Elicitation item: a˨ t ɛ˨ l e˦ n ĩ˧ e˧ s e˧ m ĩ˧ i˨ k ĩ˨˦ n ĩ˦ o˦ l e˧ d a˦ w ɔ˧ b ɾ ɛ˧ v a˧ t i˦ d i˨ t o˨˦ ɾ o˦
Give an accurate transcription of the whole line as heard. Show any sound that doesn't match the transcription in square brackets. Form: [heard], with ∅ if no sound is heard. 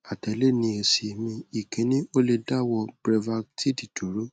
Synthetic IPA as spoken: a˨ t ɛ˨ l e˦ n ĩ˧ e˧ s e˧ m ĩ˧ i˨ k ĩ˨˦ n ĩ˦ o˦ l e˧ d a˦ w ɔ˧ b ɾ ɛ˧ v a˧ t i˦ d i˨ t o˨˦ ɾ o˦